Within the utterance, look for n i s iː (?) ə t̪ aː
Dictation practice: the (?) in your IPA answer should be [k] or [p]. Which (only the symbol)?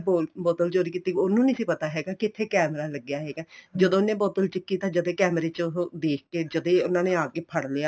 p